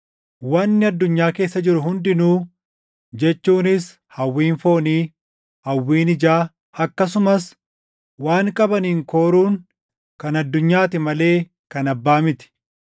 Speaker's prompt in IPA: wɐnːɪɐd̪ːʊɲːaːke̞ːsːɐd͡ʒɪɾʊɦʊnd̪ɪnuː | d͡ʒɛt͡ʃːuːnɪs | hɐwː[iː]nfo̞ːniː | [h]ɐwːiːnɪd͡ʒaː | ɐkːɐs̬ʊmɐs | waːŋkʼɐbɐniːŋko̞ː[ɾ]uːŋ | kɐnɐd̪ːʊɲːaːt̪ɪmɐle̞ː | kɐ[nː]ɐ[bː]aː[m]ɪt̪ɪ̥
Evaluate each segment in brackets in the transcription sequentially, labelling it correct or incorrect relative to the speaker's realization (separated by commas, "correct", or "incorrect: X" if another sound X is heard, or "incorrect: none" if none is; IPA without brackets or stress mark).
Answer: correct, correct, correct, incorrect: n, correct, correct